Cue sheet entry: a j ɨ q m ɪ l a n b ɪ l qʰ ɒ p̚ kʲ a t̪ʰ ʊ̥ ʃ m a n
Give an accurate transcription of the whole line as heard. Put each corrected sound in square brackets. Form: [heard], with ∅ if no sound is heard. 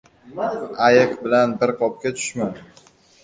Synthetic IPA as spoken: a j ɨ q [b] ɪ l a n b ɪ [ɾ] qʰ ɒ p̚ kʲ a t̪ʰ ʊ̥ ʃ m a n